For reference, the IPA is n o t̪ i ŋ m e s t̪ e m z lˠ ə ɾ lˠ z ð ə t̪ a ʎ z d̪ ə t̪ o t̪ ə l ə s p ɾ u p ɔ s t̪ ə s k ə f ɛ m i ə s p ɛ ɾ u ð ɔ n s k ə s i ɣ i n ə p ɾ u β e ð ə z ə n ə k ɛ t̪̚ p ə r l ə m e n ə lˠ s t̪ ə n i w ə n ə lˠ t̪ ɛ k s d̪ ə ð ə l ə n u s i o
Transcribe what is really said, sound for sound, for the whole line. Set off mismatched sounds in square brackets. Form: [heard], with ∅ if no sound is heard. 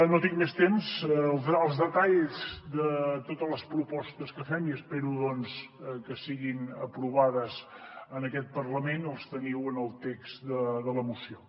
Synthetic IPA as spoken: n o t̪ i ŋ m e s t̪ e m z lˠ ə [∅] lˠ z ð ə t̪ a ʎ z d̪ ə t̪ o t̪ ə l ə s p ɾ u p ɔ s t̪ ə s k ə f ɛ m i ə s p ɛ ɾ u ð ɔ n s k ə s i ɣ i n ə p ɾ u β [a] ð ə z ə n ə k ɛ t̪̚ p ə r l ə m e n ə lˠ s t̪ ə n i w ə n ə lˠ t̪ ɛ k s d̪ ə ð ə l ə [m] u s i o